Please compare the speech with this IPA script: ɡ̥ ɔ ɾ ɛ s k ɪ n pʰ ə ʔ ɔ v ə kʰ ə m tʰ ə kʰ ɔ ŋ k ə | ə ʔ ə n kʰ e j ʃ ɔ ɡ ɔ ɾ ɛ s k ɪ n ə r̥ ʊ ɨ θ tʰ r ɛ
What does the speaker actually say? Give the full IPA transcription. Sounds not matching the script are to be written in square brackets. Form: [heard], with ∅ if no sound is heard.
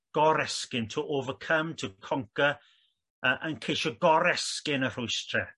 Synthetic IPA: ɡ̥ ɔ ɾ ɛ s k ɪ n [tʰ] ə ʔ [o] v ə kʰ ə m tʰ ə kʰ ɔ ŋ k ə | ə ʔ ə n kʰ e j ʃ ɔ ɡ ɔ ɾ ɛ s k ɪ n ə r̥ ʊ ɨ [s] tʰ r ɛ